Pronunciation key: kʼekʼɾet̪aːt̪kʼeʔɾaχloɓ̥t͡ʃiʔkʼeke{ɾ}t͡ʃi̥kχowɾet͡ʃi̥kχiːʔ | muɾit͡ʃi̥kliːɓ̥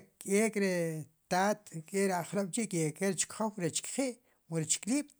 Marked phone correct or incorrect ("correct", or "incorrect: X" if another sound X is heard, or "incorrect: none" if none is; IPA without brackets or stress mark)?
correct